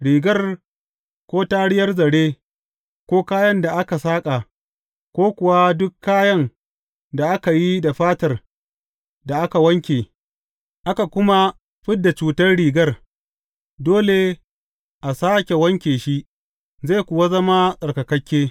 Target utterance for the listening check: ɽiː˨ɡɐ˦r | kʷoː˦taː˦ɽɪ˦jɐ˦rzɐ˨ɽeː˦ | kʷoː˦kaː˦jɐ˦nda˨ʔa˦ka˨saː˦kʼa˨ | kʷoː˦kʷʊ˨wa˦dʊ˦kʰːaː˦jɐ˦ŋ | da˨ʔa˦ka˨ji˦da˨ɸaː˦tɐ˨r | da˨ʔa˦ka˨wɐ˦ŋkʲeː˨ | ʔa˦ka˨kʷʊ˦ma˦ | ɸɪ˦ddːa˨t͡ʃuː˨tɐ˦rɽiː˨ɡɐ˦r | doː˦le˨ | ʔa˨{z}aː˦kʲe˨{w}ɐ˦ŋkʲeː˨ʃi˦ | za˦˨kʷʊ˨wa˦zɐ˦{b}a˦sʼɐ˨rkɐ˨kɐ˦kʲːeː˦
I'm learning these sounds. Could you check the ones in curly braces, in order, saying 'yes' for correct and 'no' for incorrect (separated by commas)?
no, yes, no